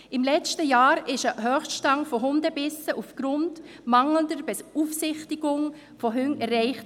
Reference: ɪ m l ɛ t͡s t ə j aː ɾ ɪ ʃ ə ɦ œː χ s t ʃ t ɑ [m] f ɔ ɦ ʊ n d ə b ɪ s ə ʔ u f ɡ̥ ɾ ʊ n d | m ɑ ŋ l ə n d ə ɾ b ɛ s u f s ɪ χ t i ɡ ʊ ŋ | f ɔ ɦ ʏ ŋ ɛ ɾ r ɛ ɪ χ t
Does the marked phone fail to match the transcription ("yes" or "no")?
yes